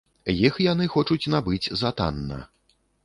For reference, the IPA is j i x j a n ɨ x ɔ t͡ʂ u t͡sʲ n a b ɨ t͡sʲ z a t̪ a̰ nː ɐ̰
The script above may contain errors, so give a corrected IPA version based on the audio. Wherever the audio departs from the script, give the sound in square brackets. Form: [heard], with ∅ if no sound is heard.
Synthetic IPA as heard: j i x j a n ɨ x ɔ t͡ʂ u t͡sʲ n a b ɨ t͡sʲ z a t̪ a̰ nː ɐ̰

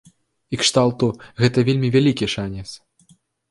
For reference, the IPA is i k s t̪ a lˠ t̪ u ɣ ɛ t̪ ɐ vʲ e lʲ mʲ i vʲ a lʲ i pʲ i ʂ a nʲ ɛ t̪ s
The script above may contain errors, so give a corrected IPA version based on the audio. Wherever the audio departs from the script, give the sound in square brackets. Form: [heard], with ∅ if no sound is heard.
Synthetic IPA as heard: i k [ʂ] t̪ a lˠ t̪ u ɣ ɛ t̪ ɐ vʲ e lʲ mʲ i vʲ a lʲ i [kʲ] i ʂ a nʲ ɛ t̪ s

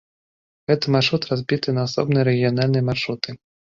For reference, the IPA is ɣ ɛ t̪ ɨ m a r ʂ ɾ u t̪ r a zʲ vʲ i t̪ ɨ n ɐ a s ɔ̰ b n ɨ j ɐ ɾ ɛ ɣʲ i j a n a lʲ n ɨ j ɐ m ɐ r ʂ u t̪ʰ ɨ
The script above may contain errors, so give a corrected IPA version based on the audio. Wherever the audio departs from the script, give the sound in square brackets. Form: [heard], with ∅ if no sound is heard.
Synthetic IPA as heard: ɣ ɛ t̪ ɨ m a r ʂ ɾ u t̪ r a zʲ [bʲ] i t̪ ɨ n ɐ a s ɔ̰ b n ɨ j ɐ ɾ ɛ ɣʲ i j a n a lʲ n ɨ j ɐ m [a] r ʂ u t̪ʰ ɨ

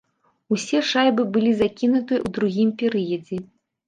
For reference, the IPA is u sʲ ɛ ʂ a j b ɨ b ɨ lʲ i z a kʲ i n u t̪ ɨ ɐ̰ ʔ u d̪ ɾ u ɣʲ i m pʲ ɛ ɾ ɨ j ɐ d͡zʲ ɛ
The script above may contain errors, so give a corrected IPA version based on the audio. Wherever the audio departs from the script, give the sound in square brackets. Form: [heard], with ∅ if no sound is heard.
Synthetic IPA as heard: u sʲ ɛ ʂ a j b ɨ b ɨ lʲ i z a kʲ i n u t̪ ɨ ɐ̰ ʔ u d̪ ɾ u ɣʲ i m pʲ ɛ ɾ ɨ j ɐ d͡zʲ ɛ

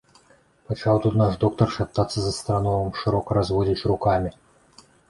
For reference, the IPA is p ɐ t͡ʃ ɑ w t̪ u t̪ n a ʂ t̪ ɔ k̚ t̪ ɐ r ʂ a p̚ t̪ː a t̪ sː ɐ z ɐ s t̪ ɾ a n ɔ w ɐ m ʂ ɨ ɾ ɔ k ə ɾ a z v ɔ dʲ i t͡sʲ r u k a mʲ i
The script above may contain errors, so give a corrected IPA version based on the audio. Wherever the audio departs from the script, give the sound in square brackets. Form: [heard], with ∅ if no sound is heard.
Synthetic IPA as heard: p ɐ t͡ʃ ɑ w t̪ u t̪ n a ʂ [d̪] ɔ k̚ t̪ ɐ r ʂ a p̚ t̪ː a t̪ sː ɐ z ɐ s t̪ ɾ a n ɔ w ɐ m ʂ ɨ ɾ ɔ k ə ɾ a z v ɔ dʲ i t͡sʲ r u k a mʲ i

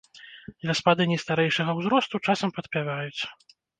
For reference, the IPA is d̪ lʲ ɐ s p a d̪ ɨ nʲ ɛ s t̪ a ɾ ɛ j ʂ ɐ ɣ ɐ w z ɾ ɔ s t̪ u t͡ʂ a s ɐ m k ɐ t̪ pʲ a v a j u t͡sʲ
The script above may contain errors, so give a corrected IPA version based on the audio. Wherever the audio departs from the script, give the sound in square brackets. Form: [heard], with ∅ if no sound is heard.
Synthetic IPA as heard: d̪ lʲ ɐ s p a d̪ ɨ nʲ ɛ s t̪ a ɾ ɛ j ʂ ɐ ɣ ɐ w z ɾ ɔ s t̪ u t͡ʂ a s ɐ m [p] ɐ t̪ pʲ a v a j u t͡sʲ

